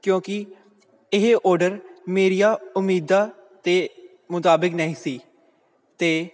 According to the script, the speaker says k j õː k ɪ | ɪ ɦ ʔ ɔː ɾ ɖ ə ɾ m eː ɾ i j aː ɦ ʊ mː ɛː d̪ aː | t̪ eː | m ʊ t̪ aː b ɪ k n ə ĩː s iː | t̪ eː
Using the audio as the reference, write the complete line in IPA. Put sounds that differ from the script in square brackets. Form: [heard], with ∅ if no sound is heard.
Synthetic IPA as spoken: k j õː k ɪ | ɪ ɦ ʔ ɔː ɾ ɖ ə ɾ m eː ɾ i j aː [∅] ʊ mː [iː] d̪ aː | t̪ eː | m ʊ t̪ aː b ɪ k n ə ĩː s iː | t̪ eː